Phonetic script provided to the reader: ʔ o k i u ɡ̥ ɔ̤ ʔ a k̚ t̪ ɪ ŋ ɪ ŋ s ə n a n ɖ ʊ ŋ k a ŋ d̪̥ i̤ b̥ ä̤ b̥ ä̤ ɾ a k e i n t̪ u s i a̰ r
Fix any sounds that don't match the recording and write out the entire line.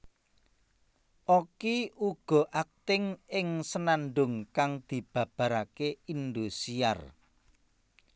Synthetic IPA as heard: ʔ o k i u ɡ̥ ɔ̤ ʔ a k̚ t̪ ɪ ŋ ɪ ŋ s ə n a n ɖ ʊ ŋ k a ŋ d̪̥ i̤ b̥ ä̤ b̥ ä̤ ɾ a k e i n d̪ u s i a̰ r